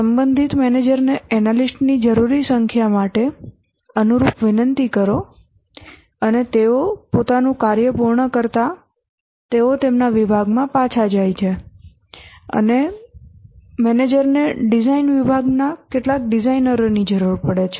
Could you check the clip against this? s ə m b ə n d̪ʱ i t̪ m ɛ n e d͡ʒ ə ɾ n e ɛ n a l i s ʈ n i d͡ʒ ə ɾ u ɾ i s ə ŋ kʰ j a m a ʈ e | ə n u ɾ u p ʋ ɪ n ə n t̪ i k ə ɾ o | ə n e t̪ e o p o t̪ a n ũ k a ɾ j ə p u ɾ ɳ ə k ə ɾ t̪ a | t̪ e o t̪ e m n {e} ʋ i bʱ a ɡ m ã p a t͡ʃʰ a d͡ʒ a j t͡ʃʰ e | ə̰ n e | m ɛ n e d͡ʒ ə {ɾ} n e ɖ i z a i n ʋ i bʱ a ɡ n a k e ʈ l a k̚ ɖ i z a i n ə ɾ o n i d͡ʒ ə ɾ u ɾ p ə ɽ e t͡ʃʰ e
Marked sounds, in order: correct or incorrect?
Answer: incorrect, correct

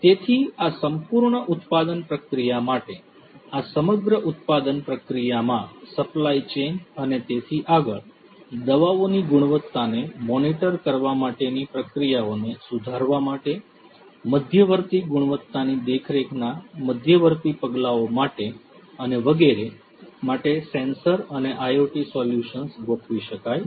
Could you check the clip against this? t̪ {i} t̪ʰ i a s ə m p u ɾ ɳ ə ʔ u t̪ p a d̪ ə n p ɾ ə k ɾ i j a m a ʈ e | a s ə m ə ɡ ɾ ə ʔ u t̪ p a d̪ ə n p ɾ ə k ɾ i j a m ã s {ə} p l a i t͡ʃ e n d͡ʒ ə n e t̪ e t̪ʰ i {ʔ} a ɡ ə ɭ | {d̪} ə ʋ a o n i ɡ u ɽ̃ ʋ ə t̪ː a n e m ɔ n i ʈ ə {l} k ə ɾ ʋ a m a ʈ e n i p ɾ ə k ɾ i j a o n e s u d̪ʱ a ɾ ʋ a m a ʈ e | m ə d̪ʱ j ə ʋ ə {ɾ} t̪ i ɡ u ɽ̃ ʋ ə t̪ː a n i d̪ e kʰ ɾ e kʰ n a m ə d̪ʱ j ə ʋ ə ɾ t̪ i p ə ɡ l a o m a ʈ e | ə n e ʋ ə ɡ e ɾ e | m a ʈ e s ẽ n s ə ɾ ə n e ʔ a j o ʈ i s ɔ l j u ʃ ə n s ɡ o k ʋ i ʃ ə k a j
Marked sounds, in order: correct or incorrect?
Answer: incorrect, correct, correct, correct, incorrect, correct

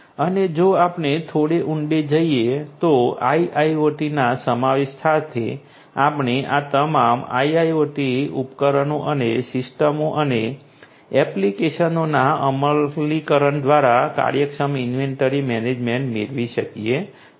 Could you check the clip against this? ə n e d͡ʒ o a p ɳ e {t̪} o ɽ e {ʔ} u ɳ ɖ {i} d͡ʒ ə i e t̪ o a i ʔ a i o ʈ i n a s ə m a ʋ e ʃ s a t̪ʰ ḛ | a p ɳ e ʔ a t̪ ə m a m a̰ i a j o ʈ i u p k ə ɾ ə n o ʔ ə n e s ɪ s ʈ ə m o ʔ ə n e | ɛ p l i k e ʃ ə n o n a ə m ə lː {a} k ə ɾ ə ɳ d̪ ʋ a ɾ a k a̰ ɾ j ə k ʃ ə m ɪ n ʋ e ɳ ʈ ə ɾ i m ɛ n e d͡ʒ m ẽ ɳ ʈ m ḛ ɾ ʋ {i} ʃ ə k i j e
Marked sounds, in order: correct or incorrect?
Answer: incorrect, correct, incorrect, incorrect, correct

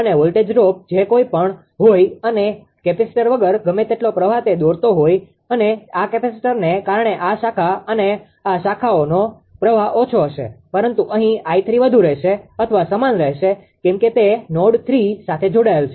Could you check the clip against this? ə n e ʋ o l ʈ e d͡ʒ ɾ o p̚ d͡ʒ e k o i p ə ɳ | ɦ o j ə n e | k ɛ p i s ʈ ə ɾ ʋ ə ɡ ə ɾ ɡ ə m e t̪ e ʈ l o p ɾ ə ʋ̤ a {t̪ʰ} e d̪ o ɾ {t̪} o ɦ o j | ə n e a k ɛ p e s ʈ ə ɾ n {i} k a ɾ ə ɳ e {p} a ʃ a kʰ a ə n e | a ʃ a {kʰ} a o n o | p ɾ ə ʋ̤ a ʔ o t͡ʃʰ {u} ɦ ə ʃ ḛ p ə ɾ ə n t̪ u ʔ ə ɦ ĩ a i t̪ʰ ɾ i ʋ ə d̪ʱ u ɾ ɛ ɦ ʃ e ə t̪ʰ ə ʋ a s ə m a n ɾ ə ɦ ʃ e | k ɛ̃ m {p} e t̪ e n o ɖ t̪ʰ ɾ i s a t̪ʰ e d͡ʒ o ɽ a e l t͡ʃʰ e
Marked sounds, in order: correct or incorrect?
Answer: incorrect, correct, incorrect, incorrect, correct, incorrect, incorrect

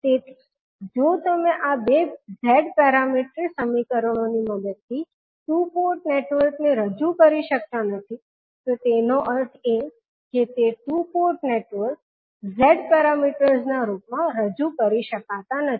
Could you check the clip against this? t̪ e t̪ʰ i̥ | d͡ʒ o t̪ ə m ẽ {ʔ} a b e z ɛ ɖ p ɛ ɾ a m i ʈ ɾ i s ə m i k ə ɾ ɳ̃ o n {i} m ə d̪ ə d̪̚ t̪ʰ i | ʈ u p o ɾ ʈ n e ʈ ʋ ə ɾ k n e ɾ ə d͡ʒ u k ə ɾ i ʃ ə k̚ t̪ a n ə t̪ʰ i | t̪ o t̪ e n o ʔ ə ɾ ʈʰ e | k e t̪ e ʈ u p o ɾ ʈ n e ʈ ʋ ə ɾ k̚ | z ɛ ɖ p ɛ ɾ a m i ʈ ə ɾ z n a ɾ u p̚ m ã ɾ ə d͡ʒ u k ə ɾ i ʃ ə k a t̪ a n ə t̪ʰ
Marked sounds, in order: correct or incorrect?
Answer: correct, correct

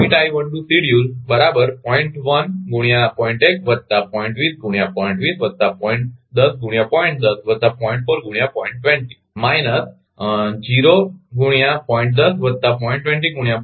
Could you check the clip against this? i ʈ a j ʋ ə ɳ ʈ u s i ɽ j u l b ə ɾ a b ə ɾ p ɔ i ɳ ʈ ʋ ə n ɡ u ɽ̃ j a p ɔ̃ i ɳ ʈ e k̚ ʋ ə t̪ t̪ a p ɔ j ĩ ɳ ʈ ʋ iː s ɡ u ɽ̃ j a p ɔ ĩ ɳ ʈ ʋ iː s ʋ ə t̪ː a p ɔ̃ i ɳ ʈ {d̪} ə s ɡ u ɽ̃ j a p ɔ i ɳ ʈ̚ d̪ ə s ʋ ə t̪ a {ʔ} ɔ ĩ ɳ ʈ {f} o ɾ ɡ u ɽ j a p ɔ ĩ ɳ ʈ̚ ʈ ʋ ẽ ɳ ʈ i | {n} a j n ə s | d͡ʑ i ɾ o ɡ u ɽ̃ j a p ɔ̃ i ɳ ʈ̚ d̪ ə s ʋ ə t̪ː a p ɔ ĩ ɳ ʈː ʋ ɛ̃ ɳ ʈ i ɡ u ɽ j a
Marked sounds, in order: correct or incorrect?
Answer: correct, incorrect, correct, incorrect

